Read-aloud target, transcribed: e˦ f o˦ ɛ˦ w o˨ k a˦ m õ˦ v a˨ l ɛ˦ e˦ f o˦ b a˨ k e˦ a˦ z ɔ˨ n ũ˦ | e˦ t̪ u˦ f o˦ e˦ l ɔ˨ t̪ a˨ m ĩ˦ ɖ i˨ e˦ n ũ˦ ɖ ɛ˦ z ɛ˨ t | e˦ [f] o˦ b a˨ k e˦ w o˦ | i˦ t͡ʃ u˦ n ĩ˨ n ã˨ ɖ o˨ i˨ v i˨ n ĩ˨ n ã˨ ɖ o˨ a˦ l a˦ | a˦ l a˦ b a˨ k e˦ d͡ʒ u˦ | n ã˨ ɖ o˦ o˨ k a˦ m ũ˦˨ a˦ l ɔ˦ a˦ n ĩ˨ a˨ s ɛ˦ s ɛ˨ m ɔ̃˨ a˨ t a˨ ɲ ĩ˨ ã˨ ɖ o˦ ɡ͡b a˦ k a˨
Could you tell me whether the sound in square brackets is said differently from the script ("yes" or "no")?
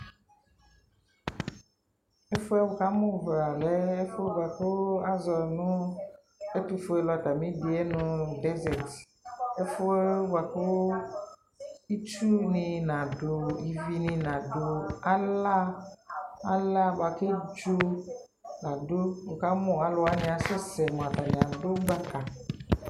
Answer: no